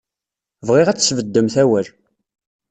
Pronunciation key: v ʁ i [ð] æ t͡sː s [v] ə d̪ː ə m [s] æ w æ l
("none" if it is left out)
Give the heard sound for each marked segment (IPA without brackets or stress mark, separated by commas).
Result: ʁ, v, θ